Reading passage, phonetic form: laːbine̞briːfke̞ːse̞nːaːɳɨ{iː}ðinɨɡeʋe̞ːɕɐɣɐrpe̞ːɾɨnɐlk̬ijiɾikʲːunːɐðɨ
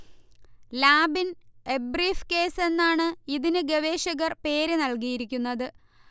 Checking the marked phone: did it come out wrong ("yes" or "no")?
yes